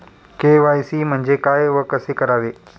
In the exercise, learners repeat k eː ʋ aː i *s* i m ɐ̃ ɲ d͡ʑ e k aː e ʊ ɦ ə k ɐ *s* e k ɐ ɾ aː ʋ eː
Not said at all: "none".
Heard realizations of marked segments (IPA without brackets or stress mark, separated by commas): s, s